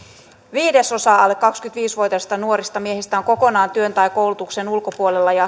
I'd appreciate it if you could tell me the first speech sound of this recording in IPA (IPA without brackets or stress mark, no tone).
ʋ